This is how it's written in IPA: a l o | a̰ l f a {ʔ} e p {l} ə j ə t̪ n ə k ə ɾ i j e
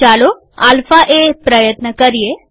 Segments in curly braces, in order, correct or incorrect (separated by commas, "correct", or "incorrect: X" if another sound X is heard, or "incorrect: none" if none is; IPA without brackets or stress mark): correct, incorrect: ɾ